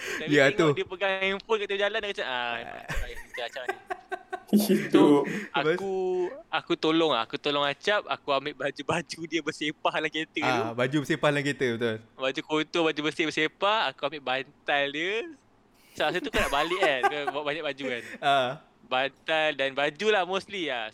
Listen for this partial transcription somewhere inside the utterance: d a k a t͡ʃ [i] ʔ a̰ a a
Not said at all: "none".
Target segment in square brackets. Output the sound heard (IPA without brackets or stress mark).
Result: a